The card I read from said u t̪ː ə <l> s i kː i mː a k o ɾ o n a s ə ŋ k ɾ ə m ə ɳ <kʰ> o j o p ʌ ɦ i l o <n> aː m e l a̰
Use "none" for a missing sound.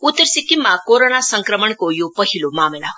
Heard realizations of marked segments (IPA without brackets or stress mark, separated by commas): ɾ, k, m